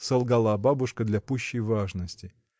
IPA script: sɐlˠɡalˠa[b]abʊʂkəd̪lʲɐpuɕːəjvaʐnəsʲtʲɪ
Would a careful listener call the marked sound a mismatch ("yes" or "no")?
no